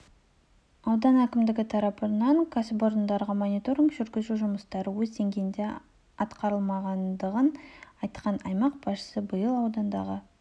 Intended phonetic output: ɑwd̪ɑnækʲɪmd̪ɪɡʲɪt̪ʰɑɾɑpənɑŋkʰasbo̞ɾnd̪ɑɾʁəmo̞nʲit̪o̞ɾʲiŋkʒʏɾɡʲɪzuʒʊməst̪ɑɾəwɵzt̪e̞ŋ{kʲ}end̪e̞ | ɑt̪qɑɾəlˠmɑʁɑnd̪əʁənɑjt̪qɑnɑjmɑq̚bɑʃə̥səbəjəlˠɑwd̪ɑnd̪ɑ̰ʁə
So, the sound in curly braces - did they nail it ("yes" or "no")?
no